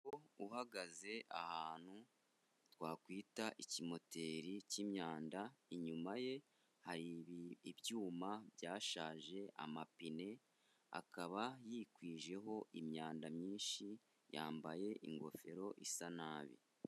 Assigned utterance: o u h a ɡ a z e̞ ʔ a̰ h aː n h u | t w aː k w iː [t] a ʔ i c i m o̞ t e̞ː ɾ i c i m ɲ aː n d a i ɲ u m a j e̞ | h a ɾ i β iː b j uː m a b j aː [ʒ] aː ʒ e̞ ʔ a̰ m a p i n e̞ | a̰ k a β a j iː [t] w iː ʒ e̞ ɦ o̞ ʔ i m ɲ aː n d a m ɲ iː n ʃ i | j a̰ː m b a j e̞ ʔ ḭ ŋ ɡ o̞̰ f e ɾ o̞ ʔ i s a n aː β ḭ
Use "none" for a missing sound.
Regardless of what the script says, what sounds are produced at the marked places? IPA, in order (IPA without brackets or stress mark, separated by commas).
t, ʃ, k